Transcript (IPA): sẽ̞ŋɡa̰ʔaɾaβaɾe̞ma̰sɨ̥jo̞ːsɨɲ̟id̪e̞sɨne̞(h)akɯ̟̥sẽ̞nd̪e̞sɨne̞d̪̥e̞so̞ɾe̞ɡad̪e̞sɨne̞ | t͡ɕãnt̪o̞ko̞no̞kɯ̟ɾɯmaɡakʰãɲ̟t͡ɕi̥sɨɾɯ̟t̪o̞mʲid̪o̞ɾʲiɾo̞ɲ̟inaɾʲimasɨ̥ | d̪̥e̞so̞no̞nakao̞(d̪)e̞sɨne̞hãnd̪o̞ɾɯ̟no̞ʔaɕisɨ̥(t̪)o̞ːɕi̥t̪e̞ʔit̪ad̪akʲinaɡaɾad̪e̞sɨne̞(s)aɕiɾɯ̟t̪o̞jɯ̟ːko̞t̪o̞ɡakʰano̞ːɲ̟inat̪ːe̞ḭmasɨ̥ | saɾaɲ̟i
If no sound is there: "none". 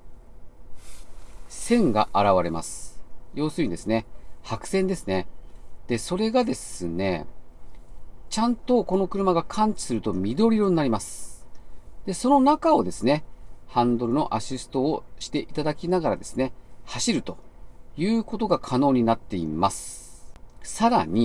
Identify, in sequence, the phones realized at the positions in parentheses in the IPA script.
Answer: h, d̪, t̪, h

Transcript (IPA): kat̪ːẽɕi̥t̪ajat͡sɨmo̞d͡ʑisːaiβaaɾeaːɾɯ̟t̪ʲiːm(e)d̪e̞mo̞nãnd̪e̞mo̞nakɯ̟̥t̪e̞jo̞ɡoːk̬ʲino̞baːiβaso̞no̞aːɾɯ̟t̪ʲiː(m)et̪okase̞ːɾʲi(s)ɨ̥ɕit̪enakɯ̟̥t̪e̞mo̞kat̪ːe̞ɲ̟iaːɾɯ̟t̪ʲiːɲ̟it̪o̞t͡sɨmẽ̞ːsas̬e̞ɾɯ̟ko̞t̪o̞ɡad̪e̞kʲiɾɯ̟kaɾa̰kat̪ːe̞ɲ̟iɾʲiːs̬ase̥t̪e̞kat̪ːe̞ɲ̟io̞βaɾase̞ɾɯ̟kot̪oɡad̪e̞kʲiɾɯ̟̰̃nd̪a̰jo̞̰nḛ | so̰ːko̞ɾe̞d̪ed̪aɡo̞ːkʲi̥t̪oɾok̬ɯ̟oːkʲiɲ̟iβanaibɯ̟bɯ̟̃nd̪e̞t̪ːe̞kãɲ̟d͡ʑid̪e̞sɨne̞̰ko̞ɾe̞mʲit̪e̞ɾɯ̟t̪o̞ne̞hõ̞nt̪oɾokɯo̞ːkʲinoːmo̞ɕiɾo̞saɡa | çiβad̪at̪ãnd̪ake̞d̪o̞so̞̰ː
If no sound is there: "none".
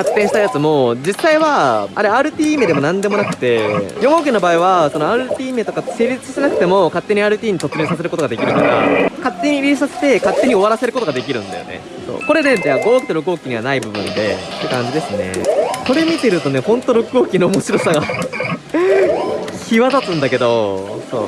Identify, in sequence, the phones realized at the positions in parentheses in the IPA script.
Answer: e, m, t͡s

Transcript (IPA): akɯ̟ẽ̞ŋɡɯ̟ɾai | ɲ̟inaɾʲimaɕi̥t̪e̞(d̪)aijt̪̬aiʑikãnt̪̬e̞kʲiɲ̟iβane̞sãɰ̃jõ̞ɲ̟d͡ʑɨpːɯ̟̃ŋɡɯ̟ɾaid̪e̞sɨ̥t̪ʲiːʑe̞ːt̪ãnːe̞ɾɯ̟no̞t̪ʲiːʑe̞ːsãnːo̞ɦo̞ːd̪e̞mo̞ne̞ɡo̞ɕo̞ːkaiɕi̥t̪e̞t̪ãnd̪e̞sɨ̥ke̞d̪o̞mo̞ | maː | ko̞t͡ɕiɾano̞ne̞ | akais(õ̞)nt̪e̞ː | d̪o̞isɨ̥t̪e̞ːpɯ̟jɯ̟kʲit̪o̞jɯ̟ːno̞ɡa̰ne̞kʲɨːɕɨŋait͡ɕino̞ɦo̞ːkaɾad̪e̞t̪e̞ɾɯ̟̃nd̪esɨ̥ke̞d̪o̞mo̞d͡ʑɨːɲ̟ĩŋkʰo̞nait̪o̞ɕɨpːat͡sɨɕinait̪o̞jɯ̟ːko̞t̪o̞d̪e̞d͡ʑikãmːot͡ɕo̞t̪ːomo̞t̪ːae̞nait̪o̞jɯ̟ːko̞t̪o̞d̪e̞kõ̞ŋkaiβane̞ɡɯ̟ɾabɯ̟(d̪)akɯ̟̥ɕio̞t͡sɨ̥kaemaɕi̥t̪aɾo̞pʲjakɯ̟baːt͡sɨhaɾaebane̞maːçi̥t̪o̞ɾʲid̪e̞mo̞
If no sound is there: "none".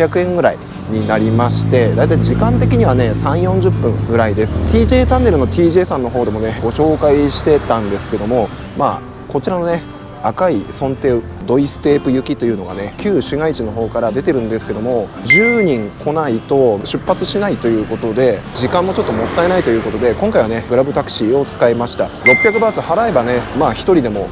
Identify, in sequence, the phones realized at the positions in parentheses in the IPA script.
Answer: d̪, õ̞, t̪

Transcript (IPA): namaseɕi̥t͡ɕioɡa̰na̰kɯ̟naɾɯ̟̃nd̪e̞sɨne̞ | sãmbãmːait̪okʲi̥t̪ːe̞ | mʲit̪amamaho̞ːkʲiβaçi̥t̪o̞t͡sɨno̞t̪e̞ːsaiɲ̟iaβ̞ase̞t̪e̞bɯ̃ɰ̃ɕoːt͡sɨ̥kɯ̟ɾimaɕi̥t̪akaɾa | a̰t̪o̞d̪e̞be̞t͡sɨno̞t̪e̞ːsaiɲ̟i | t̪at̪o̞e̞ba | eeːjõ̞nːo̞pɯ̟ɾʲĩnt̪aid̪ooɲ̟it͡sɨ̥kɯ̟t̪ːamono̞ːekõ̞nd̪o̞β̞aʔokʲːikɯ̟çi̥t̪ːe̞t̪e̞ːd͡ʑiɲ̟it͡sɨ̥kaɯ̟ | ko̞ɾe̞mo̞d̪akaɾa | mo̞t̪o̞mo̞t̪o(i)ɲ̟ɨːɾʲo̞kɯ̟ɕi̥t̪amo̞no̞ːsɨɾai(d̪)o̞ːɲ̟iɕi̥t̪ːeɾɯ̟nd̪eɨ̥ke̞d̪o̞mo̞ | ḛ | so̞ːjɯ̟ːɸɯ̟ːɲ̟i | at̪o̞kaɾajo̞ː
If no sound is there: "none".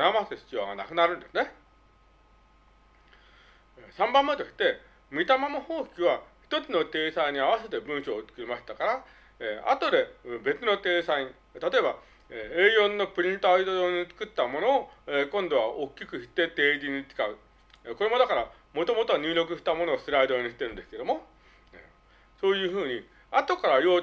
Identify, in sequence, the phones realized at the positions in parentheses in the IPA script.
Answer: a, d̪

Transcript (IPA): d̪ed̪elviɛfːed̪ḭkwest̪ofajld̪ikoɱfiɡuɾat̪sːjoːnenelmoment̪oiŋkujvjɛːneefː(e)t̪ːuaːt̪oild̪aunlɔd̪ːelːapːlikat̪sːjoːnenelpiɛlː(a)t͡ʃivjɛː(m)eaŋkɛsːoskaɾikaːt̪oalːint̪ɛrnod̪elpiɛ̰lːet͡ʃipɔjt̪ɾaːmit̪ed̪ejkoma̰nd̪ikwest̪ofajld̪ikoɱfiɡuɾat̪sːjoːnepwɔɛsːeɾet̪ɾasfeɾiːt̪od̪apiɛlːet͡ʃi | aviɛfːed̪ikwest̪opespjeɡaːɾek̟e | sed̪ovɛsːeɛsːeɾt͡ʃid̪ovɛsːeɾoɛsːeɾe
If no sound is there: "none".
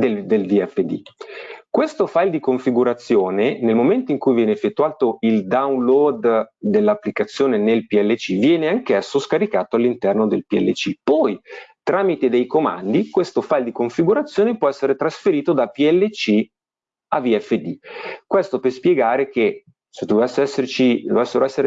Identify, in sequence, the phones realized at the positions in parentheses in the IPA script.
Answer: e, e, n

